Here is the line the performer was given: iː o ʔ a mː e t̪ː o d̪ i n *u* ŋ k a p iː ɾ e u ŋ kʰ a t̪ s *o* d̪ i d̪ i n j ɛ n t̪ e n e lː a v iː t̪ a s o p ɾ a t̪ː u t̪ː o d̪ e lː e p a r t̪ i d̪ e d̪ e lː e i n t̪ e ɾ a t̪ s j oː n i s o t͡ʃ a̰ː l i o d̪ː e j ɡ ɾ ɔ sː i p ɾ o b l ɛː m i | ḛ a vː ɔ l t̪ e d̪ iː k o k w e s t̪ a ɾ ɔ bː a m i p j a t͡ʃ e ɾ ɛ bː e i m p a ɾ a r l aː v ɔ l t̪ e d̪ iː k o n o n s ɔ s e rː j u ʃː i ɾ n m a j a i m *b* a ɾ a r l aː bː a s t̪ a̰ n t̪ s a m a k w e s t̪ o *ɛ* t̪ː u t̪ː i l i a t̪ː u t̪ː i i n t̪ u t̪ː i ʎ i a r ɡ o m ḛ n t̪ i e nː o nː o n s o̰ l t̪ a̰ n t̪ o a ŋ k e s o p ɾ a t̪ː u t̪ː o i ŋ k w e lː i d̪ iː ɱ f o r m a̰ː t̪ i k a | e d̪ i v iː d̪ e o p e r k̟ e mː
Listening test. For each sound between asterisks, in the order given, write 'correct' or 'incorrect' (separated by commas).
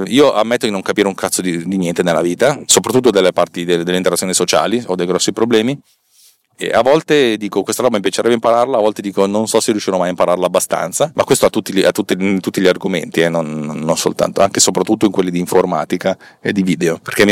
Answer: incorrect, correct, incorrect, incorrect